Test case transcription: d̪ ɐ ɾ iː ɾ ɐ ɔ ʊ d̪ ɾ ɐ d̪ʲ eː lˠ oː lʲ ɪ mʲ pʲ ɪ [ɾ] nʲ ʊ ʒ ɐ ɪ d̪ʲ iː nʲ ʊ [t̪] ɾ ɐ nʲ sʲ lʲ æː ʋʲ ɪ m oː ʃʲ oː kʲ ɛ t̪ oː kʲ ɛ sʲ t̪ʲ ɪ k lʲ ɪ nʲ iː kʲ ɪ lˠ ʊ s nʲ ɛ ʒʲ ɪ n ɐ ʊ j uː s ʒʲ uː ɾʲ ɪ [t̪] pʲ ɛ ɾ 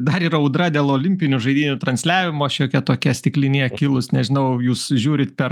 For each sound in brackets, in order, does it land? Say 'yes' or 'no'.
no, yes, yes

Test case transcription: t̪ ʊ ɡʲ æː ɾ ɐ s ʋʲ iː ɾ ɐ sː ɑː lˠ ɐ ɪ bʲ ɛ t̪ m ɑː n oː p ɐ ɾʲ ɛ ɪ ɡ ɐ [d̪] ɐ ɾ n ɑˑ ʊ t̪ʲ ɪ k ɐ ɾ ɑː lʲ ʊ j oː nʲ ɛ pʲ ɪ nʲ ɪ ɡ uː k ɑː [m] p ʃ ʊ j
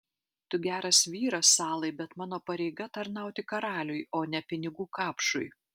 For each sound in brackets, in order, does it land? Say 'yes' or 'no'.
no, no

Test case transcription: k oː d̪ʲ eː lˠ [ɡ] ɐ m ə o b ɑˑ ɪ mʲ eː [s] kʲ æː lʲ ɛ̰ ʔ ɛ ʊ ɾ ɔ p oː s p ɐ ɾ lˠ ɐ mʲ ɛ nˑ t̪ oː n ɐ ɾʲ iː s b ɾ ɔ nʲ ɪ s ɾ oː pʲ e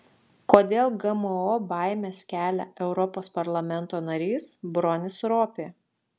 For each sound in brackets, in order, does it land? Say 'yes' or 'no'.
yes, yes

